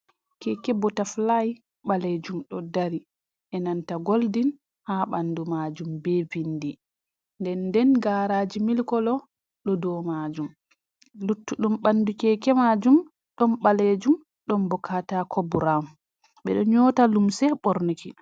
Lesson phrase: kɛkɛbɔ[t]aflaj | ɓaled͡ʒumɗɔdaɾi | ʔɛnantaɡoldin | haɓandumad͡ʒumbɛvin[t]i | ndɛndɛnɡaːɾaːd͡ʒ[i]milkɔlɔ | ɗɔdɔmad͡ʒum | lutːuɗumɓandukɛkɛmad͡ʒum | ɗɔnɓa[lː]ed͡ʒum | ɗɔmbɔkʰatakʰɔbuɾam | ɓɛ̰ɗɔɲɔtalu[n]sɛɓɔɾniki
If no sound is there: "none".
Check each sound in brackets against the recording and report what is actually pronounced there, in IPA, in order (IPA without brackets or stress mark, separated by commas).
t, d, i, l, m